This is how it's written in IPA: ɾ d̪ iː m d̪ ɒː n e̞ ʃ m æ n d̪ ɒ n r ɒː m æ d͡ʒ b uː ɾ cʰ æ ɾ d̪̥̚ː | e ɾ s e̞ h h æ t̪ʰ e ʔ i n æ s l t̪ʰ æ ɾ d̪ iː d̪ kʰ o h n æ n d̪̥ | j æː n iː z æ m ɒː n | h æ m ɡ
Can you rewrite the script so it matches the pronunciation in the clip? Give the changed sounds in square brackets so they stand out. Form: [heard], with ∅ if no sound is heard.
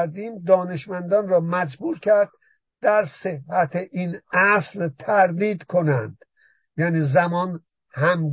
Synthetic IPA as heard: ɾ d̪ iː m d̪ ɒː n e̞ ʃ m æ n d̪ ɒ n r ɒː m æ d͡ʒ b uː ɾ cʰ æ ɾ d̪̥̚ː | [æ] ɾ s e̞ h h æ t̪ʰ e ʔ i n æ s l t̪ʰ æ ɾ d̪ iː d̪ kʰ o [∅] n æ n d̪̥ | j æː n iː z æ m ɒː n | h æ m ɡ